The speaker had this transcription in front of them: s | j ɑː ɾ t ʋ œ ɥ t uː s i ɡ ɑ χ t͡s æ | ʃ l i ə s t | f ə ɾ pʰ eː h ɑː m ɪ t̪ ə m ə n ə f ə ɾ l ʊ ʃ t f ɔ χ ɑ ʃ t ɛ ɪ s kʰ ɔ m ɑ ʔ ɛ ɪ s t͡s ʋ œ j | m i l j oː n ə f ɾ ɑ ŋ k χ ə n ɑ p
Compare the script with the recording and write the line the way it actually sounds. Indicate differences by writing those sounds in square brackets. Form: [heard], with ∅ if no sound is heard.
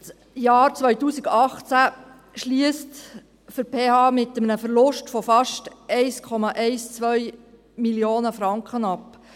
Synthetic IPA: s | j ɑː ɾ [t͡s] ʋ œ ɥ t uː s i ɡ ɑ χ t͡s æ | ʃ l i ə s t | f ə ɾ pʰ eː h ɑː m ɪ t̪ ə m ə n ə f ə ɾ l ʊ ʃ t f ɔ [f] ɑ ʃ t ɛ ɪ s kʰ ɔ m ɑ ʔ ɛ ɪ s t͡s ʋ œ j | m i l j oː n ə f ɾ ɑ ŋ k χ ə n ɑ p